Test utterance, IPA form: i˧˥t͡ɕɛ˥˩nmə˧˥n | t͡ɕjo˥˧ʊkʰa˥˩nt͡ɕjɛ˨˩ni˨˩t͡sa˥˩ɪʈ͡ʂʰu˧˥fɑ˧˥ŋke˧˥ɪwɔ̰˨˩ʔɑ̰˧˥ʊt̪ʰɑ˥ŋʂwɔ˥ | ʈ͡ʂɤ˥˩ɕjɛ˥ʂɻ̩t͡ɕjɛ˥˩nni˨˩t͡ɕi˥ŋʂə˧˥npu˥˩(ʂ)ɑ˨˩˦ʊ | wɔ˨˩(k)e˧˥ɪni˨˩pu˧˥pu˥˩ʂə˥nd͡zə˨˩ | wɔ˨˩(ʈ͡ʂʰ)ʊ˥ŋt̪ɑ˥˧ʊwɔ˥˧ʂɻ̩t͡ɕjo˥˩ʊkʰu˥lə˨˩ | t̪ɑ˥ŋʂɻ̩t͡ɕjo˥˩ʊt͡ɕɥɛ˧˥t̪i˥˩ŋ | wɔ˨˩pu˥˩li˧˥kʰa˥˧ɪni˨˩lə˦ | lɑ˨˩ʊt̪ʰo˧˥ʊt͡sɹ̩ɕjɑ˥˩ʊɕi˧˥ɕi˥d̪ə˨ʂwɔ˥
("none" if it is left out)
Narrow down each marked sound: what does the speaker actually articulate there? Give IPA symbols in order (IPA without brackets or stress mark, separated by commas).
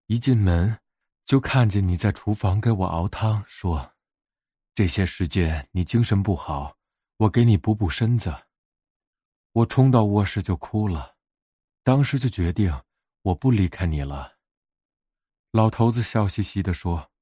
x, k, ʈ͡ʂʰ